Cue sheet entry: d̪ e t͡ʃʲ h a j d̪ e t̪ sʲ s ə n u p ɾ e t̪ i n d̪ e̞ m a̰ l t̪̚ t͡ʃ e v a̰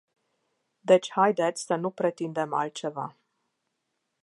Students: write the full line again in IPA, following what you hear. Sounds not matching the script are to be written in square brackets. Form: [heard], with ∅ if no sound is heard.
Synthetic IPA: d̪ e t͡ʃʲ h a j d̪ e t̪ sʲ s ə n u p ɾ e t̪ i n d̪ e̞ m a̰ l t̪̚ t͡ʃ e v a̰